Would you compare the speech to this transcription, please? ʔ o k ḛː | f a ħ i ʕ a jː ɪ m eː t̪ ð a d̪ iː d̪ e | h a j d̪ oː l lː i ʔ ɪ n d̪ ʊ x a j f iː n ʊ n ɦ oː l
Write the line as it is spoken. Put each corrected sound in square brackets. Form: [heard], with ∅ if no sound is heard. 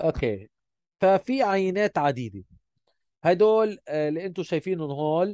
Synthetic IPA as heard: ʔ o k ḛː | f a [f] i ʕ a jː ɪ [n] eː t̪ [ʕ] a d̪ iː d̪ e | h a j d̪ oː l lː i ʔ ɪ n [t̪] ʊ [ʃ] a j f iː n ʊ n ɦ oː l

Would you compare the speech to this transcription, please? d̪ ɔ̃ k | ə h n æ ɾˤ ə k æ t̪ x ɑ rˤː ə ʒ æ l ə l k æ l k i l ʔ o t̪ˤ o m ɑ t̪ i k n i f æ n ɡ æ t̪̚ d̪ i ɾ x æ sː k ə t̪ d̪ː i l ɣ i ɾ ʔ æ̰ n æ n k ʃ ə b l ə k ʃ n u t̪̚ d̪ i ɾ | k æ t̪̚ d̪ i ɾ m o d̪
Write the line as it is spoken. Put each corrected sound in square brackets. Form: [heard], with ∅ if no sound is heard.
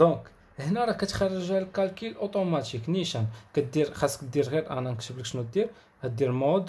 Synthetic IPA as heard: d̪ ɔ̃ k | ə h n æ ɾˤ [ɑ] k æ t̪ x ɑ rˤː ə ʒ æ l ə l k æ l k i l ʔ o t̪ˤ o m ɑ t̪ i k n i [ʃ] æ n [k] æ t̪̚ d̪ i ɾ x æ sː k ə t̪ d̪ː i [ɾ] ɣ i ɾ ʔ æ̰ n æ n k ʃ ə b l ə k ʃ n u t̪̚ d̪ i ɾ | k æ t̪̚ d̪ i ɾ m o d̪

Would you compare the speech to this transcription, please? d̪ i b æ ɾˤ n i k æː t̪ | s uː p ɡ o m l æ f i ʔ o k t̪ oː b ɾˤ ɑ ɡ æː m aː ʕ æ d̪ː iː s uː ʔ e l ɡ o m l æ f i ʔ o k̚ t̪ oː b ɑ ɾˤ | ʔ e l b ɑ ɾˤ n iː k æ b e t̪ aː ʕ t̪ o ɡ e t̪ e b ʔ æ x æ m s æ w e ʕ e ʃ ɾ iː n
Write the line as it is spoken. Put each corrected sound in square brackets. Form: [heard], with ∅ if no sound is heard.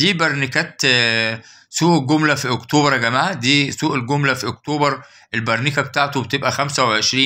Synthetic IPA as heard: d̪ [iː] b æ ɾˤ n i k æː t̪ | s uː [ʔ] ɡ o m l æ f i ʔ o k t̪ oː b ɾˤ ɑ ɡ [æ] m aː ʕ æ [d̪] iː s uː ʔ e l ɡ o m l æ f i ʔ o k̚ t̪ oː b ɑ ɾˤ | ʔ e l b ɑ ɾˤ n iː k æ b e t̪ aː ʕ t̪ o [b] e t̪ e b ʔ æ x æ m s æ w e ʕ e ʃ ɾ iː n

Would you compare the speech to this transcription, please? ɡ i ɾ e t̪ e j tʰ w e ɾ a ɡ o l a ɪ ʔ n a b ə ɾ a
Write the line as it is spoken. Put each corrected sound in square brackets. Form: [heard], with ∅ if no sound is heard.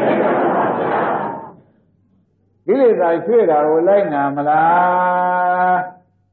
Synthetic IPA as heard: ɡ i [l] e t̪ [a] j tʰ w e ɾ a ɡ o l a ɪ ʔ n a [m] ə [l] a

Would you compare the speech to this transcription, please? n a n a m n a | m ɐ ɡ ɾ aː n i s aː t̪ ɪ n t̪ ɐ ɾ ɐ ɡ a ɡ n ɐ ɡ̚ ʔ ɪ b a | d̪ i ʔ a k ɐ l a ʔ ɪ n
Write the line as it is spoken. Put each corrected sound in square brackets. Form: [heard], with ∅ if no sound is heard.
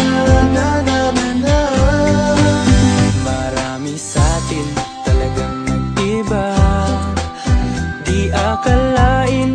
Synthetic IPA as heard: n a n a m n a | m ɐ [∅] ɾ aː [m] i s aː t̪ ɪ n t̪ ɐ [l] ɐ ɡ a [ŋ] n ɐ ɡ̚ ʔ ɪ b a | d̪ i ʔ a k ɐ l a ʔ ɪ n

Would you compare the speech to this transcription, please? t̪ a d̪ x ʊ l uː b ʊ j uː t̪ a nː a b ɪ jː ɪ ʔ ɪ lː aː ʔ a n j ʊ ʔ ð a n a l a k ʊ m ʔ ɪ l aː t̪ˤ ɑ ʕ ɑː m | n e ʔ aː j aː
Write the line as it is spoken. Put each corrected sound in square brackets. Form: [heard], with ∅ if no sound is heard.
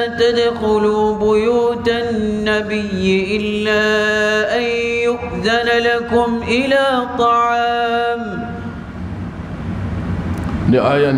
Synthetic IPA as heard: t̪ a d̪ x ʊ l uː b ʊ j uː t̪ a nː a b ɪ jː ɪ ʔ ɪ lː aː ʔ a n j ʊ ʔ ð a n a l a k ʊ m ʔ ɪ l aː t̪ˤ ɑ ʕ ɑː m | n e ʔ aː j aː

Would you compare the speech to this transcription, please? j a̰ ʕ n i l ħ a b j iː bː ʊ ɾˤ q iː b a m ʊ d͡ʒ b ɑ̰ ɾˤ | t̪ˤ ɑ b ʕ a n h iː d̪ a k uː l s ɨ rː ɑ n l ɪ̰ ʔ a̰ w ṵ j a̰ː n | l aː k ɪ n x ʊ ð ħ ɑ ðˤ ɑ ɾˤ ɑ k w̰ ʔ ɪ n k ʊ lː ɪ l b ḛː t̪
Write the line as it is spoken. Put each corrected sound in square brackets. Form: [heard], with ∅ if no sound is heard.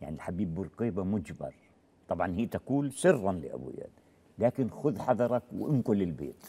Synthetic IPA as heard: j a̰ ʕ n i l ħ a b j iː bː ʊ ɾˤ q iː b a m ʊ d͡ʒ b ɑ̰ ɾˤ | t̪ˤ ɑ b ʕ [ɑ] n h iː [t̪] a k uː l s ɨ rː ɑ n l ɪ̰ ʔ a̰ [b] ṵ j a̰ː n | l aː k ɪ n x ʊ ð ħ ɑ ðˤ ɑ ɾˤ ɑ k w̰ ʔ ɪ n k ʊ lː ɪ l b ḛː t̪

